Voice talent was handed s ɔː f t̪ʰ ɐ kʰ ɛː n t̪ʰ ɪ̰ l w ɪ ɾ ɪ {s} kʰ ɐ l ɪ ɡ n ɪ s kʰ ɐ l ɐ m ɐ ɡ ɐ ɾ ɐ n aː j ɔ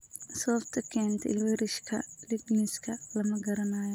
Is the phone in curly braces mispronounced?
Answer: yes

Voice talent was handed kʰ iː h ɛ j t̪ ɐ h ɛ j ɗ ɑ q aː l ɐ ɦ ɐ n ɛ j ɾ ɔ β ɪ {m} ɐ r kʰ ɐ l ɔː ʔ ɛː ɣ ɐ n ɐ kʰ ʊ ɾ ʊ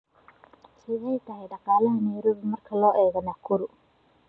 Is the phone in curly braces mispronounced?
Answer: no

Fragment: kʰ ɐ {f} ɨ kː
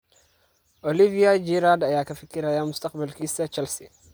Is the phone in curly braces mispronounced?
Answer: no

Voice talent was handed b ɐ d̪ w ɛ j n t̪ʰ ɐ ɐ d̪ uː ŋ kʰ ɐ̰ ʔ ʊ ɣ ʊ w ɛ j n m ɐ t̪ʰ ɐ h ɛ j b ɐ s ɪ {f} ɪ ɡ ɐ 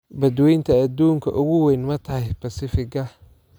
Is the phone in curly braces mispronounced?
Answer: no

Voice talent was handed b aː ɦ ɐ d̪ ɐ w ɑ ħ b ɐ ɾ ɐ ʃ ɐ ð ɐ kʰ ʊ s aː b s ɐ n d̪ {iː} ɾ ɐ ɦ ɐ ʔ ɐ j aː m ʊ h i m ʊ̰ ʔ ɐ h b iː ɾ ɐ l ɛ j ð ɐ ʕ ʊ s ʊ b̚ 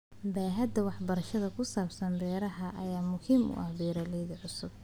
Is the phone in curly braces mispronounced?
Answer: yes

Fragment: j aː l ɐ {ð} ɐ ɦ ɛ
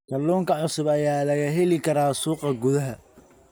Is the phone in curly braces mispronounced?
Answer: yes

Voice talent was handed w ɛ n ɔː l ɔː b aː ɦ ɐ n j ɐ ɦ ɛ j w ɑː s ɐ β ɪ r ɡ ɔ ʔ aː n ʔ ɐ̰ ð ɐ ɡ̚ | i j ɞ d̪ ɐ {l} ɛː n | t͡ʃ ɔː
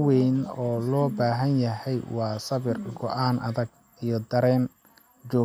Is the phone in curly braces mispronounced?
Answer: yes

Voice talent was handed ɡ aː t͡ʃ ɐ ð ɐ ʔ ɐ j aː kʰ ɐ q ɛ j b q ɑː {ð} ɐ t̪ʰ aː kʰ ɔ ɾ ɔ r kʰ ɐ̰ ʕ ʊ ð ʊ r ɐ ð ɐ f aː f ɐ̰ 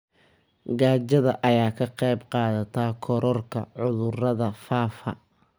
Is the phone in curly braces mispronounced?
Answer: no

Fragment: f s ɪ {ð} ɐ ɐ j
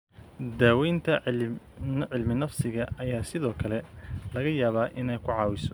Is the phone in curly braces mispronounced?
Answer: yes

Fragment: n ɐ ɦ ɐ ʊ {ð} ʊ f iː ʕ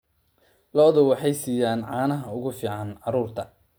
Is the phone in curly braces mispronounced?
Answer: yes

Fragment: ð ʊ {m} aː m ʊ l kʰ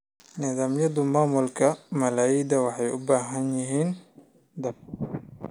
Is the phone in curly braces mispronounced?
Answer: no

